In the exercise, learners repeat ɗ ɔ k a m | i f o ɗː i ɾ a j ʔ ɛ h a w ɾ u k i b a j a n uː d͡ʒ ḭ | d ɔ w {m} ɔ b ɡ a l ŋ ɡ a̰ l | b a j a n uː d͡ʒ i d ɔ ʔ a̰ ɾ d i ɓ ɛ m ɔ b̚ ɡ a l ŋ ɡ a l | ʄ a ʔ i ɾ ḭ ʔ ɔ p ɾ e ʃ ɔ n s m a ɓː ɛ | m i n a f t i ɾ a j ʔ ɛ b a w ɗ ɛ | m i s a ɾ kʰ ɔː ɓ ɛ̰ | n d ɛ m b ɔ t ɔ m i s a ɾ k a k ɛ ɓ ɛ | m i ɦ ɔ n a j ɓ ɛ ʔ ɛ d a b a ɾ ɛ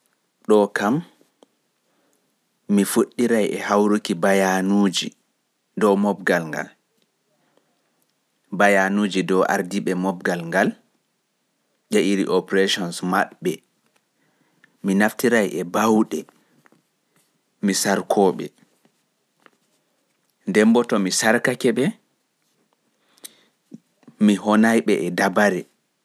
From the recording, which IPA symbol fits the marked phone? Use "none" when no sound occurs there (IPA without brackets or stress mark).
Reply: m